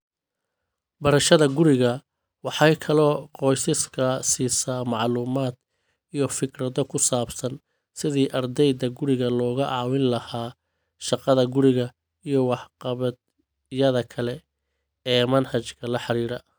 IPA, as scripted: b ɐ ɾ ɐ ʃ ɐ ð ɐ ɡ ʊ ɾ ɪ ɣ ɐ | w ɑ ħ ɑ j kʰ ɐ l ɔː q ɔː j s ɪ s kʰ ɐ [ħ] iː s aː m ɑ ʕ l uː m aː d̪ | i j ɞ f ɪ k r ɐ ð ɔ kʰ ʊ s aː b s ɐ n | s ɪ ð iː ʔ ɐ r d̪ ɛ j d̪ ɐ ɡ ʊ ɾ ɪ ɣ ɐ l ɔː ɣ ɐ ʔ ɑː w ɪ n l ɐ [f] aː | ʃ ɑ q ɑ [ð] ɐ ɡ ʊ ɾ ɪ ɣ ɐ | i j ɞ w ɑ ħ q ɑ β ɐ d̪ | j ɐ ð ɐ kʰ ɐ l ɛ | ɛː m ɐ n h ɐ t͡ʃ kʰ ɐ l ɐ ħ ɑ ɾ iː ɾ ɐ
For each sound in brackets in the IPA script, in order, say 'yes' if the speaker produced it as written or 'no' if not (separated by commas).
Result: no, no, yes